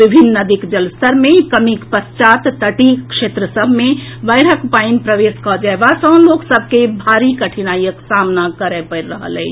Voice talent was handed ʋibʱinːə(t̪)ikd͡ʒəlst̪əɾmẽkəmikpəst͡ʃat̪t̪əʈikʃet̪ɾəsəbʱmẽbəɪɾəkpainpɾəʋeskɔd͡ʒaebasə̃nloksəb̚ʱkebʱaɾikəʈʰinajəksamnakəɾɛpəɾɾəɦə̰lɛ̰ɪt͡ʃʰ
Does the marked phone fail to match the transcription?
yes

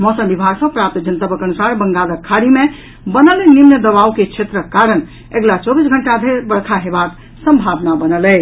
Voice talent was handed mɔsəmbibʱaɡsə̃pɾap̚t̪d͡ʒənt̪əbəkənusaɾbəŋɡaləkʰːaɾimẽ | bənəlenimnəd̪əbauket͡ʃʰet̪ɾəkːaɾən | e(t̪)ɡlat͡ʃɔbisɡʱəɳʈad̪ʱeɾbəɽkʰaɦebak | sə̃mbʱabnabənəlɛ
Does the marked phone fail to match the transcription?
yes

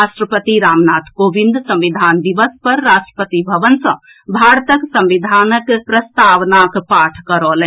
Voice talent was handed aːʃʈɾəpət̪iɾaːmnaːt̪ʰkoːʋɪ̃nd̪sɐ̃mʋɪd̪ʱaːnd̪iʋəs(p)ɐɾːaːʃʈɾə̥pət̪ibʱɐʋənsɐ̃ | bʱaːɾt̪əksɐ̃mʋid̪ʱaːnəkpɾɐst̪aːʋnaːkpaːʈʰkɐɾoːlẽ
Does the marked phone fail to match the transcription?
no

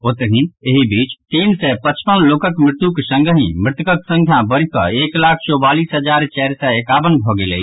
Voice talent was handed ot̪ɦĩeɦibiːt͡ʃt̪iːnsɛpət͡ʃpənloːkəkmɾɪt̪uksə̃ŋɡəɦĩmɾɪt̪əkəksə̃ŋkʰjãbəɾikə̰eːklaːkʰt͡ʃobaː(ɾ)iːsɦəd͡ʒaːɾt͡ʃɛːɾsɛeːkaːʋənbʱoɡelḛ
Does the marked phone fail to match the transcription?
yes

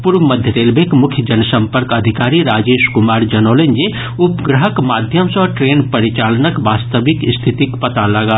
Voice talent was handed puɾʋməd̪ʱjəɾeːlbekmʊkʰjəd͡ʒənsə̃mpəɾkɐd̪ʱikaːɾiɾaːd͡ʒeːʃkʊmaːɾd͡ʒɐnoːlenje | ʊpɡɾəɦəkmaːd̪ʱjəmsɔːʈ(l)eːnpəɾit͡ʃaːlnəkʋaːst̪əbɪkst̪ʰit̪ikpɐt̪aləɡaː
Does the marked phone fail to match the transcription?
yes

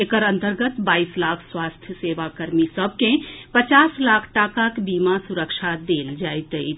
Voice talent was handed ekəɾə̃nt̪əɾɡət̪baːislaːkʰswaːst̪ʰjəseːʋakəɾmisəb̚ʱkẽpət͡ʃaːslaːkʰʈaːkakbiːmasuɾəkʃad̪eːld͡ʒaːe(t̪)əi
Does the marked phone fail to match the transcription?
no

